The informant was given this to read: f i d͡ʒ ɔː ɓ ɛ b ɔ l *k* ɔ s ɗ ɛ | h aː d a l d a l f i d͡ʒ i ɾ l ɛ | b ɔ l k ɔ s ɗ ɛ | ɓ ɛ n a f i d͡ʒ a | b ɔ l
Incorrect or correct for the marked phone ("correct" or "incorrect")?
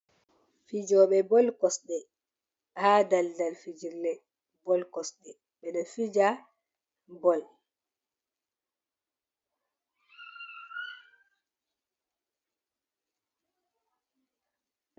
correct